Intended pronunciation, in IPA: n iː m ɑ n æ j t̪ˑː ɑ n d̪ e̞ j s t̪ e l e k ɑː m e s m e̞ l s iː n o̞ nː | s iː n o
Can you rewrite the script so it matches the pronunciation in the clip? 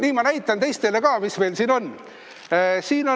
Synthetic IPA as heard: n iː m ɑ n æ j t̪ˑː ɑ n t̪ e̞ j s t̪ e l e k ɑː m i s m e̞ l s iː n o̞ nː | s iː n o